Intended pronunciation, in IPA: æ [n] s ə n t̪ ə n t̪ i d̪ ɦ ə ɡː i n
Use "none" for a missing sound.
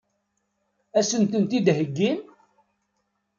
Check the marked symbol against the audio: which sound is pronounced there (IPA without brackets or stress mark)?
none